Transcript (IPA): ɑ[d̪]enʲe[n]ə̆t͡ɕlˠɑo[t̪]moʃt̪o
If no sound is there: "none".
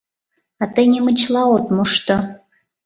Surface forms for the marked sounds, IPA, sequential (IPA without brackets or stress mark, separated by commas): t̪, m, t̪